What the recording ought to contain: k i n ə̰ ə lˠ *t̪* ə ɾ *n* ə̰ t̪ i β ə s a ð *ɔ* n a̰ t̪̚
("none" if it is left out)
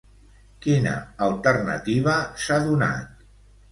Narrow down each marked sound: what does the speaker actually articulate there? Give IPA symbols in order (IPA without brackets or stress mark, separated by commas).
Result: t̪, n, u